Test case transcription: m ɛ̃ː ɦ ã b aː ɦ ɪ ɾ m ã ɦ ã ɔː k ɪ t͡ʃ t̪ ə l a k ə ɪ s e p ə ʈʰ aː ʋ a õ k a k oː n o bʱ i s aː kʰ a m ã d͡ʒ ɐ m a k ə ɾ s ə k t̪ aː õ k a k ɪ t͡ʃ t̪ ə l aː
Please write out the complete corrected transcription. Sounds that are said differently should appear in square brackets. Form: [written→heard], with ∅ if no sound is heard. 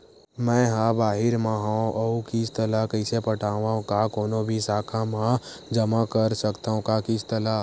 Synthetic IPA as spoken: m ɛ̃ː ɦ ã b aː ɦ ɪ ɾ m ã ɦ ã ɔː k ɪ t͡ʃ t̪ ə l a k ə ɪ s e p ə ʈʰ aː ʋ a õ k a k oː n o bʱ i s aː kʰ a m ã d͡ʒ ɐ m a k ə ɾ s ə k t̪ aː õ k a k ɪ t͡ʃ t̪ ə l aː